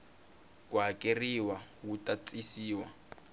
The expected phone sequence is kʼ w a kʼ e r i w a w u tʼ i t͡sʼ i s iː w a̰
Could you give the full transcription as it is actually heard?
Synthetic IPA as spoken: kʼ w a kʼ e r i w a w u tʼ a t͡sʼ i s iː w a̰